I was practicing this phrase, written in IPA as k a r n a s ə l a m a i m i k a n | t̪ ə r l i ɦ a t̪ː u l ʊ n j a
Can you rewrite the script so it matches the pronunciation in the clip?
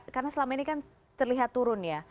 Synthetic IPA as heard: k a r n a s ə l a m a i n i k a n | t̪ ə r l i ɦ a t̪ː u ɾ ʊ n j a